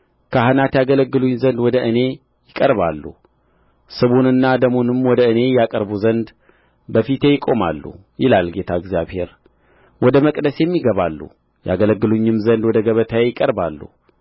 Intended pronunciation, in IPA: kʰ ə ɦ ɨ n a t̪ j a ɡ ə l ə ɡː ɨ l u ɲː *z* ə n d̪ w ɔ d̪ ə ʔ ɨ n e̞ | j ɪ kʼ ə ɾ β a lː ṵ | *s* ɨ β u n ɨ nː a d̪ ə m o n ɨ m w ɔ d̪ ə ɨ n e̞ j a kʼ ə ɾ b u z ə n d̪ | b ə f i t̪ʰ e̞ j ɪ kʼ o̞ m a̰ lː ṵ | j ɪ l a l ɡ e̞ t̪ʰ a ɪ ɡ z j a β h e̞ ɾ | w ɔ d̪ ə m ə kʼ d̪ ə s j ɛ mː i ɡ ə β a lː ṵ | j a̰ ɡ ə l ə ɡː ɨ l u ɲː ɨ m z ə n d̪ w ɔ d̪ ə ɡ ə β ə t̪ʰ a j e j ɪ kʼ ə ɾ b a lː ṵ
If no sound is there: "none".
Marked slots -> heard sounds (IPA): z, s

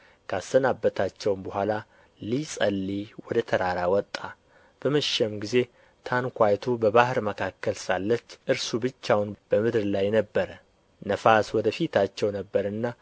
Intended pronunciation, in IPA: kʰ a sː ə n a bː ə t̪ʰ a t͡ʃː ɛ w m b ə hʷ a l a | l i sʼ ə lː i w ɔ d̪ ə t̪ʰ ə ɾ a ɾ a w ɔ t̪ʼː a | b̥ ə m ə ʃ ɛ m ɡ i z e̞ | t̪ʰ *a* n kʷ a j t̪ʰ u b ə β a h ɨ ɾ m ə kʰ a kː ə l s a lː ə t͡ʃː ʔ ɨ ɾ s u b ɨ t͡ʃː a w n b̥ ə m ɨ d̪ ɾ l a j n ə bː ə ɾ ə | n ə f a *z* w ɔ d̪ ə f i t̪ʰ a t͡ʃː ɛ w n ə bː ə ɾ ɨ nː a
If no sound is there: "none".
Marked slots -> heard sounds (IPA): a, s

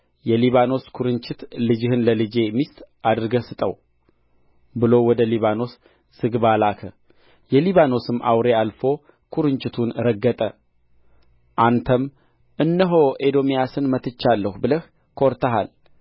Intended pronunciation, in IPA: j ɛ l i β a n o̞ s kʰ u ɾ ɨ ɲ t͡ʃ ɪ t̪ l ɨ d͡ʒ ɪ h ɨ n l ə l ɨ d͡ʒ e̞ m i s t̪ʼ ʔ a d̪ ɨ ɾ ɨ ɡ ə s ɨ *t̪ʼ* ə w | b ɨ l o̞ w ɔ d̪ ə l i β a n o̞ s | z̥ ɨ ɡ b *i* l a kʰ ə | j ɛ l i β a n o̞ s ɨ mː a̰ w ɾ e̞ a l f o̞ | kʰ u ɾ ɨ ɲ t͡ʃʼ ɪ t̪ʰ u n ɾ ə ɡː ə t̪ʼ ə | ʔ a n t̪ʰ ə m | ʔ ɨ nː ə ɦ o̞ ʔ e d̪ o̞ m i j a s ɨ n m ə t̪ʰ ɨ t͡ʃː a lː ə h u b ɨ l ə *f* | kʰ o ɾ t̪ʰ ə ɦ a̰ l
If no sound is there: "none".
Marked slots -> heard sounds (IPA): t̪ʼ, a, h

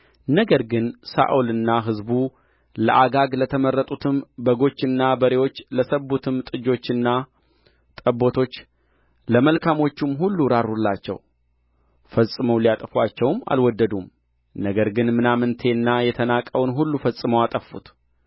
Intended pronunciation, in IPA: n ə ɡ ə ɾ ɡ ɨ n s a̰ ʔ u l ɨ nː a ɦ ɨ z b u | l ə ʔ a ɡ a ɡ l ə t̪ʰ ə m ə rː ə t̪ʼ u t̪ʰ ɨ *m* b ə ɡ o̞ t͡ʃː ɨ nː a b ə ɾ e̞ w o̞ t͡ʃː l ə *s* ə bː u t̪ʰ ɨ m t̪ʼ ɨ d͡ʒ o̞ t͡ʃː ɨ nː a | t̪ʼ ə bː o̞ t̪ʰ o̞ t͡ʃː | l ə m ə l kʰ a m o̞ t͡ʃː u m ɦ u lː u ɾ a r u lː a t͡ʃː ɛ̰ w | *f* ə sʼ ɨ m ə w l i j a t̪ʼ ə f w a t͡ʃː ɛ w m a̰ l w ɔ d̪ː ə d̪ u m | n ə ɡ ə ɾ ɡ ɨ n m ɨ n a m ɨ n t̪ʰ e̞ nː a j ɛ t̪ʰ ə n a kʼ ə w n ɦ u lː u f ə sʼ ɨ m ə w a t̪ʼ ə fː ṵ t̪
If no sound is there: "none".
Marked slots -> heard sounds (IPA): m, s, f

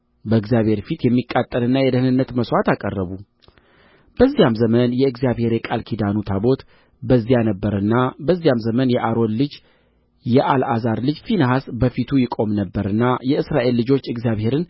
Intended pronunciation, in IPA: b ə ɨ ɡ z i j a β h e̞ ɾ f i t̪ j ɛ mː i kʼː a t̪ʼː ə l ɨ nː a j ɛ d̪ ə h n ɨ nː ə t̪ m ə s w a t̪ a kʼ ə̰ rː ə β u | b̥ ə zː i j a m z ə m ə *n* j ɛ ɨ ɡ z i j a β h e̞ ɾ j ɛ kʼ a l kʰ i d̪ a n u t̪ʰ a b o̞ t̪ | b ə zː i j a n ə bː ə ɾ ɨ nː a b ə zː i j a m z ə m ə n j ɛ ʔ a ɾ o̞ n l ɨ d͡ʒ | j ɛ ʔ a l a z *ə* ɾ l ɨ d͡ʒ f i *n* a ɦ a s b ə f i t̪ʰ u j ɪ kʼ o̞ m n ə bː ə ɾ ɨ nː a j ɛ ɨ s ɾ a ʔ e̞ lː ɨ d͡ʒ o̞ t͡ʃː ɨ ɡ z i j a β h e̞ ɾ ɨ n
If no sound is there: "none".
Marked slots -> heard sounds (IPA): n, a, n

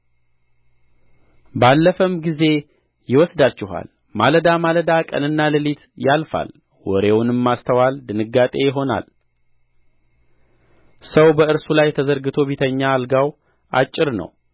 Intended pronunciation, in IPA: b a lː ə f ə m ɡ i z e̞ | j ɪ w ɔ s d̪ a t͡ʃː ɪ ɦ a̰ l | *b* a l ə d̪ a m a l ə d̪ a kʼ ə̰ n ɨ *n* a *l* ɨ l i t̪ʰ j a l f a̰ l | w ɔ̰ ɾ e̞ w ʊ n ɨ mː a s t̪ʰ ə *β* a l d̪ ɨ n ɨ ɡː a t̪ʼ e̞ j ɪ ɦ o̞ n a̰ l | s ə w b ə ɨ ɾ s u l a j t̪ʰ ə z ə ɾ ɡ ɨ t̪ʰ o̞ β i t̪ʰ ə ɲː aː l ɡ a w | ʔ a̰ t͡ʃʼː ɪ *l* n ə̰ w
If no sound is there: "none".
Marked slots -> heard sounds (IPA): m, nː, l, w, ɾ

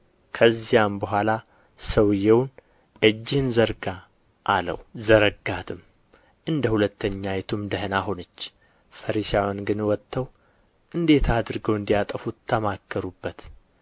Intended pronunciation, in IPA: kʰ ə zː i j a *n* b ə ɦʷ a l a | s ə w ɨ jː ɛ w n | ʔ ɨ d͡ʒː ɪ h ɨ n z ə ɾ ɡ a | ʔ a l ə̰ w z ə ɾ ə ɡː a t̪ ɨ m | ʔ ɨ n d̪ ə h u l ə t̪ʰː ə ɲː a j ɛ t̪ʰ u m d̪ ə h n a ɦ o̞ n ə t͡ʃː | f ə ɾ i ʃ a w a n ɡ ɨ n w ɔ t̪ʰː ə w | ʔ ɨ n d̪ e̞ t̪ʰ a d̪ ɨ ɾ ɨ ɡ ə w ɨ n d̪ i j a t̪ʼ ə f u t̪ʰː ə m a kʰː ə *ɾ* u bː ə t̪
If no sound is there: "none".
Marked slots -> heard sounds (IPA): m, ɾ

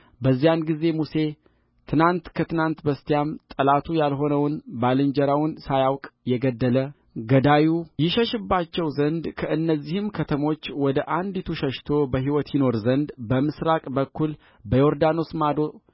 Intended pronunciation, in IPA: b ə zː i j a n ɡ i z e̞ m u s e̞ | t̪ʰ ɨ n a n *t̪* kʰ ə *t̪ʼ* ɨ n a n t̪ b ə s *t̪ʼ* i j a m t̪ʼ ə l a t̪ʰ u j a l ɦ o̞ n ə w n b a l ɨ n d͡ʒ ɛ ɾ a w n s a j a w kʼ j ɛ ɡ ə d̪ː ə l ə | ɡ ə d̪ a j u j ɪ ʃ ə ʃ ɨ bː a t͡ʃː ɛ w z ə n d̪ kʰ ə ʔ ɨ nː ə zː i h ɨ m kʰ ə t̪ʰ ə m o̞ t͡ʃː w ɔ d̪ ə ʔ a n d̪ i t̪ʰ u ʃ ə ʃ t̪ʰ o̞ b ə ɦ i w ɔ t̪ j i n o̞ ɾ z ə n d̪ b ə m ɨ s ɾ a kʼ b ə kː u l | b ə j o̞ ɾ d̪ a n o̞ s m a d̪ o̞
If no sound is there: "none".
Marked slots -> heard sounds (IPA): t̪, t̪, t̪

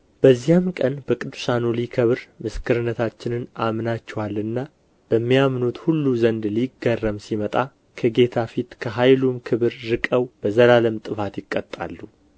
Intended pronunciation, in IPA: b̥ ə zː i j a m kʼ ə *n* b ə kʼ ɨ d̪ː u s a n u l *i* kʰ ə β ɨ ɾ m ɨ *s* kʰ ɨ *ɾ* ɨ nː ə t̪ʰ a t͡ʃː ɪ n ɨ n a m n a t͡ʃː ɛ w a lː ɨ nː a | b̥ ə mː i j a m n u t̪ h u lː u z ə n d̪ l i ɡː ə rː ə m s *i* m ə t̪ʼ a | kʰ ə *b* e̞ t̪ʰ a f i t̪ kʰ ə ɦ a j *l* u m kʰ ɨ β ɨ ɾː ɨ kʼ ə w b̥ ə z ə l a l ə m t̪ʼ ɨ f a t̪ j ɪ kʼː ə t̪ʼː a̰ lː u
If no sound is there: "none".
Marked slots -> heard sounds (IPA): n, i, s, ɾ, i, ɡ, l

